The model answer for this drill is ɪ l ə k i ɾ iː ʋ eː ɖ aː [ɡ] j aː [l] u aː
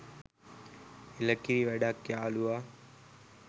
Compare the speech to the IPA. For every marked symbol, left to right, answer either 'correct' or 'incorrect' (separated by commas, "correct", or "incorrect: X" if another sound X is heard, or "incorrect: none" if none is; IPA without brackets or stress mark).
incorrect: k, correct